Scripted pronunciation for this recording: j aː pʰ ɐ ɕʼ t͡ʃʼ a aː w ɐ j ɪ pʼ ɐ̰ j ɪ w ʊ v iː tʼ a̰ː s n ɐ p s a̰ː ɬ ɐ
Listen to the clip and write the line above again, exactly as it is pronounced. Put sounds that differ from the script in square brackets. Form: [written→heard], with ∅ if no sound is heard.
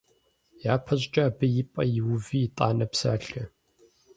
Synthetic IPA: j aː pʰ ɐ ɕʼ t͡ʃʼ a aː [w→b] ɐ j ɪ pʼ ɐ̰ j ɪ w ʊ v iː tʼ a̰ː [s→∅] n ɐ p s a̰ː ɬ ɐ